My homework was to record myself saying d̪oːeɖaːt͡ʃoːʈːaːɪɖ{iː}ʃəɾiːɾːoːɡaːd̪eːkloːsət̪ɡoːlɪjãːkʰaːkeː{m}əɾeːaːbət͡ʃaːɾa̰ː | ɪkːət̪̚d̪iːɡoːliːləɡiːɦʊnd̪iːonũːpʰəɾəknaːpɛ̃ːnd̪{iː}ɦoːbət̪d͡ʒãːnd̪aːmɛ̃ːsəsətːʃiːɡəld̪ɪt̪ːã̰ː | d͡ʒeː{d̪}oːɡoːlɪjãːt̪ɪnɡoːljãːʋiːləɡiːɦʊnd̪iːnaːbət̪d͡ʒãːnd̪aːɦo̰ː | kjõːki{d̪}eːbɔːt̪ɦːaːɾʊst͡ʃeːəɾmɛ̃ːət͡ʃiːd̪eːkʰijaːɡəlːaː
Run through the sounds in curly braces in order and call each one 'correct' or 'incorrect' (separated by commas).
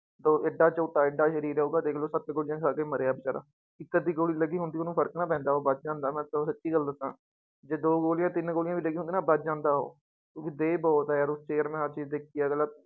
incorrect, correct, incorrect, correct, correct